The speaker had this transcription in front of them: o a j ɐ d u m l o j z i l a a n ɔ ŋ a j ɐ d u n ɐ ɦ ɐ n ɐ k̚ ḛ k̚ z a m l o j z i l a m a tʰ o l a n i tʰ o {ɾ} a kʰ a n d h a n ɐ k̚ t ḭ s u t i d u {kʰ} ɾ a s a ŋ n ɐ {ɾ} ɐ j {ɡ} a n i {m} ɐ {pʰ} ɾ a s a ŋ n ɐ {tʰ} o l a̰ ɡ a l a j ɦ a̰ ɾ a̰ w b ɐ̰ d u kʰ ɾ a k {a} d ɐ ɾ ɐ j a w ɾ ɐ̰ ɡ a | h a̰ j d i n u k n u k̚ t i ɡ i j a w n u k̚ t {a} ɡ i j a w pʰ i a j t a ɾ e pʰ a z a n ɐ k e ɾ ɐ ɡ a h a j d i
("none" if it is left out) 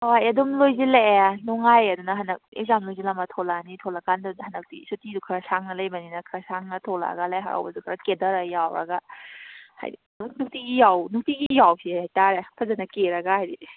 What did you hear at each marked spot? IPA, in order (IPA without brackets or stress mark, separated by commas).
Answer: l, kʰ, l, b, n, kʰ, tʰ, e, i